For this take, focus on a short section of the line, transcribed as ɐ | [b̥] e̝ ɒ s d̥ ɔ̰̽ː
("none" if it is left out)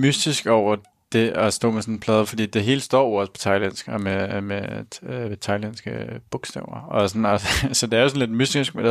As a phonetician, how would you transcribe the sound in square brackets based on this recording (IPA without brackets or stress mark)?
d̥